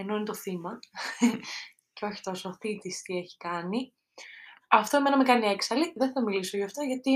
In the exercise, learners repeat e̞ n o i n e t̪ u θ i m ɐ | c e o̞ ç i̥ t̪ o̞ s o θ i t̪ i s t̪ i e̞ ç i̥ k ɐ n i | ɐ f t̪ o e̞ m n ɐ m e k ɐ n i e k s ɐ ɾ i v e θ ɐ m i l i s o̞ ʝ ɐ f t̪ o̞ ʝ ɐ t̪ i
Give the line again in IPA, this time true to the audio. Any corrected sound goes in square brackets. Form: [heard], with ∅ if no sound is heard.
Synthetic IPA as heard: e̞ n o i n e t̪ [o] θ i m ɐ | c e o̞ ç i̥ t̪ o̞ s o θ i t̪ i s t̪ i e̞ ç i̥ k ɐ n i | ɐ f t̪ o e̞ m n ɐ m e k ɐ n i e k s ɐ [l] i [ð] e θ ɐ m i l i s o̞ ʝ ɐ f t̪ o̞ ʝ ɐ t̪ i